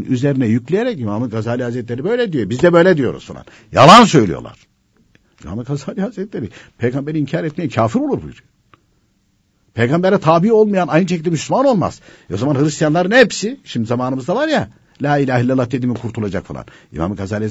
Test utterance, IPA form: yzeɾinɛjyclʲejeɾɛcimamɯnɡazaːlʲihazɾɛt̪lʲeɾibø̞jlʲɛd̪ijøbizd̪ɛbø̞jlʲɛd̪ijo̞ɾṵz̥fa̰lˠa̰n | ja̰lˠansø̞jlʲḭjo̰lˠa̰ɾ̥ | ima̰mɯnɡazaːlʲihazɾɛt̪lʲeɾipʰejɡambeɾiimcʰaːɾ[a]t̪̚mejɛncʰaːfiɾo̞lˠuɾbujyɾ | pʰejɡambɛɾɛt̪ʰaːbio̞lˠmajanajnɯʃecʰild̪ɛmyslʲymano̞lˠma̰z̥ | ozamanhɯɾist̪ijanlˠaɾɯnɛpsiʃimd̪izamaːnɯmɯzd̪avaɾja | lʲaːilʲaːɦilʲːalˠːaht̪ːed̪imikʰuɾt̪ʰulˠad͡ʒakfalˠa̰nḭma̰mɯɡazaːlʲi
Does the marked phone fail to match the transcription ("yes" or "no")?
yes